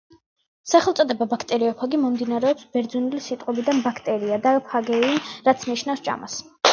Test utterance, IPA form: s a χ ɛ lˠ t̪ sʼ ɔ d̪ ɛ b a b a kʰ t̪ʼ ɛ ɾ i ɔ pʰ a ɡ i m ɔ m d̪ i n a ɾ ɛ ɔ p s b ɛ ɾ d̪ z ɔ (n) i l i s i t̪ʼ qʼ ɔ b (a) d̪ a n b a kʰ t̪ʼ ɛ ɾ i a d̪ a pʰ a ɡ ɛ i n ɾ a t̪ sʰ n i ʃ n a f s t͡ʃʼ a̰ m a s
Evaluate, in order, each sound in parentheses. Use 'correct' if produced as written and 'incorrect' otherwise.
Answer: correct, incorrect: i

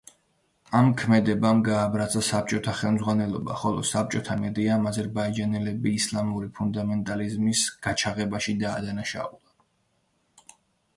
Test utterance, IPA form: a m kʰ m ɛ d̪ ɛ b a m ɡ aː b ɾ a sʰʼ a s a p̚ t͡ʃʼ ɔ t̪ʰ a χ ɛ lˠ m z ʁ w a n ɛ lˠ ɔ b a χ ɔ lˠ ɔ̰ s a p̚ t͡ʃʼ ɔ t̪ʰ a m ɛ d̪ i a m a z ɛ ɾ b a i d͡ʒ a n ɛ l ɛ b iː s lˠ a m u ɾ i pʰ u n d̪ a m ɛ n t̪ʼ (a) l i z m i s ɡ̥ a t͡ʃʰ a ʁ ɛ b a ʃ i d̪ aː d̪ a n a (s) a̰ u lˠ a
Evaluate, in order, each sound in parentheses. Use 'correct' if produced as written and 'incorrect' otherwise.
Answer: correct, incorrect: ʃ

